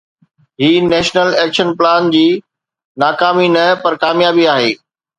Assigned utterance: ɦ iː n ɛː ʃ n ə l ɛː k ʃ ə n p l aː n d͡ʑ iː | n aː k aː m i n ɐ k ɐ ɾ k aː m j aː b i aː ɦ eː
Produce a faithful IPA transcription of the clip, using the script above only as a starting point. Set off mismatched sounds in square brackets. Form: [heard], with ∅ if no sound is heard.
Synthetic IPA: ɦ iː n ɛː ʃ n ə l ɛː k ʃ ə n p l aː n d͡ʑ iː | n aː k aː m i n ɐ [p] ɐ ɾ k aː m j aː b i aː ɦ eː

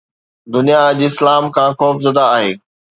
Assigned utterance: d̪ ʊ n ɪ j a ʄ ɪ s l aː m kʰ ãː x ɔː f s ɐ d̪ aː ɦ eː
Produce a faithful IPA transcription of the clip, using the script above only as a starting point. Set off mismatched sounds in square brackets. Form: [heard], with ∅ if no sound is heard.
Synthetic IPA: d̪ ʊ n [i] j a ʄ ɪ s l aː m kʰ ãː x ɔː f [z] ɐ d̪ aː ɦ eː

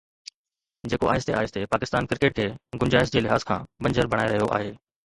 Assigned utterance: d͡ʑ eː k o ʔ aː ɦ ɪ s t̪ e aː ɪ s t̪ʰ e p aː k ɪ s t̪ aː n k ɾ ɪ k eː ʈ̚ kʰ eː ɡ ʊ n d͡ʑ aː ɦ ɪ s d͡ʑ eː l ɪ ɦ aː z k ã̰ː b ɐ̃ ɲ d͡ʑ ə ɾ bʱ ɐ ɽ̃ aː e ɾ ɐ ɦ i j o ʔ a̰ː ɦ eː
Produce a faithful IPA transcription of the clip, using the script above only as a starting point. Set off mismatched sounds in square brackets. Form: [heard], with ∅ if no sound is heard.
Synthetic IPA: d͡ʑ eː k o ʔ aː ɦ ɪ s t̪ e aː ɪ s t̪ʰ e p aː k ɪ s t̪ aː n k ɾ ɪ k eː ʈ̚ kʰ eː ɡ ʊ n d͡ʑ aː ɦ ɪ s d͡ʑ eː l ɪ ɦ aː z [kʰ] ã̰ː b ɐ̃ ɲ d͡ʑ ə ɾ bʱ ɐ ɽ̃ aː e ɾ ɐ ɦ i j o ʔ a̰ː ɦ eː

